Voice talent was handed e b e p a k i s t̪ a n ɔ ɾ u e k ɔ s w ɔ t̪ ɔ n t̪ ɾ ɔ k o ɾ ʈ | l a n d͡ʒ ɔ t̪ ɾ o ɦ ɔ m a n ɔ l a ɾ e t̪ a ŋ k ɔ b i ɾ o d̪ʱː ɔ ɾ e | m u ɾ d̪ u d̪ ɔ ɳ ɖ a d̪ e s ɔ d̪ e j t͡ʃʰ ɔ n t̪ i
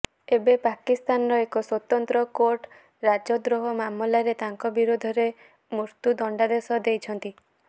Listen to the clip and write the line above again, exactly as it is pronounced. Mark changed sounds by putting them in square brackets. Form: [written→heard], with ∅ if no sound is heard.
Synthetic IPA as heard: e b e p a k i s t̪ a n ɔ ɾ [u→ɔ] e k ɔ s w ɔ t̪ ɔ n t̪ ɾ ɔ k o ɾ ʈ | [l→ɾ] a [n→∅] d͡ʒ ɔ [t̪→d̪] ɾ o ɦ ɔ m a [n→m] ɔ l a ɾ e t̪ a ŋ k ɔ b i ɾ o [d̪ʱː→d̪ʱ] ɔ ɾ e | m u ɾ [d̪→t̪] u d̪ ɔ ɳ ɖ a d̪ e s ɔ d̪ e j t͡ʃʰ ɔ n t̪ i